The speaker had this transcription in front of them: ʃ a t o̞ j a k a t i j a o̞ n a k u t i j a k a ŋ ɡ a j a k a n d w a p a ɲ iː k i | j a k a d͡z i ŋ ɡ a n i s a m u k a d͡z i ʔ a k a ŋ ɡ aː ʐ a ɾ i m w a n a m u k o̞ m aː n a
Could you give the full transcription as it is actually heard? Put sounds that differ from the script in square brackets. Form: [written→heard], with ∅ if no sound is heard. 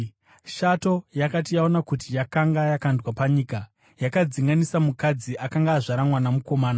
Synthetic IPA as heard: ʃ a t o̞ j a k a t i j a o̞ n a k u t i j a k a ŋ ɡ a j a k a n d w a p a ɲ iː k [i→a] | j a k a d͡z i ŋ ɡ a n i s a m u k a d͡z i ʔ a k a ŋ ɡ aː ʐ a ɾ [i→a] m w a n a m u k o̞ m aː n a